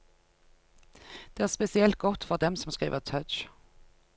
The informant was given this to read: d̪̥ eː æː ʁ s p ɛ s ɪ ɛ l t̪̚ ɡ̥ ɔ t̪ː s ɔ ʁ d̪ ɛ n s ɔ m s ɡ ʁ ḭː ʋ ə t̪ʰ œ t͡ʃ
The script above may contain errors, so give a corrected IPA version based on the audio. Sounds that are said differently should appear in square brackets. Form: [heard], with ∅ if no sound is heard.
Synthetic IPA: d̪̥ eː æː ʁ s p ɛ s ɪ ɛ l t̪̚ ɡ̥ ɔ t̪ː [f] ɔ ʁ d̪ ɛ [m] s ɔ m s [k] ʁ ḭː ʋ ə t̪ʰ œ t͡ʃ